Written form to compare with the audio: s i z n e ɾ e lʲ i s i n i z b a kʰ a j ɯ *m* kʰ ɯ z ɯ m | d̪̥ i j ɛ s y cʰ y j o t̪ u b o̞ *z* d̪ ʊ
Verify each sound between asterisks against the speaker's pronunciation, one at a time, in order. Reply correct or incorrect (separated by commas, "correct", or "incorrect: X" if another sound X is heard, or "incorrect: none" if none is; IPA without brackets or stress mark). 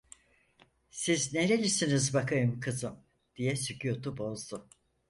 correct, correct